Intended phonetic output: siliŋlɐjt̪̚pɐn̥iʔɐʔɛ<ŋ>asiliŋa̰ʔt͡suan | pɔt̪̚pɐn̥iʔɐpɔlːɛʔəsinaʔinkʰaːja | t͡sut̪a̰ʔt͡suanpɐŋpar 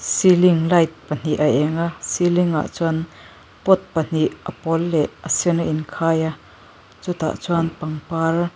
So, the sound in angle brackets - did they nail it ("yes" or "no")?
yes